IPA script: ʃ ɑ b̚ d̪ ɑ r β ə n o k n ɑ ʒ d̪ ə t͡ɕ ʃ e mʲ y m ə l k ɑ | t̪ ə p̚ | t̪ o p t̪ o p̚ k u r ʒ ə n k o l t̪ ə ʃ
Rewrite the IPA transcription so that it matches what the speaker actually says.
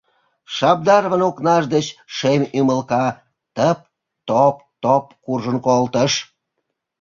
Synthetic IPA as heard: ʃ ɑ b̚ d̪ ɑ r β ə n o k n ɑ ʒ d̪ ə t͡ɕ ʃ e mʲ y m ə l k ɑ | t̪ ə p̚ | t̪ o p t̪ o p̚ k u r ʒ ə n k o l t̪ ə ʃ